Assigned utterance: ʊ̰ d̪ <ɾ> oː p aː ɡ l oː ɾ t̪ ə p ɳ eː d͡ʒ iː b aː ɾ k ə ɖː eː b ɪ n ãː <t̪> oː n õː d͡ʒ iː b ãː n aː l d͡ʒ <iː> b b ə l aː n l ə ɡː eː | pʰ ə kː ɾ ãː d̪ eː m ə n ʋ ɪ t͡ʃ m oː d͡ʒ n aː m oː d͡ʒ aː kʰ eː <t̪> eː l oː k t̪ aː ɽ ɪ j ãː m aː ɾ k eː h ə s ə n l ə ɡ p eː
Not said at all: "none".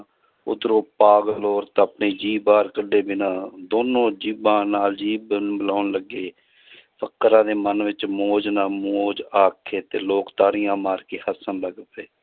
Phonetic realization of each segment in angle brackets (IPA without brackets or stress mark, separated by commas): ɾ, d̪, iː, t̪